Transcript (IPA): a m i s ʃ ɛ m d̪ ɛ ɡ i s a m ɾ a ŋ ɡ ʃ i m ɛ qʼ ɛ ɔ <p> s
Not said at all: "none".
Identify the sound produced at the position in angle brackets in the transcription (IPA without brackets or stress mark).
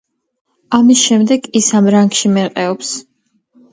p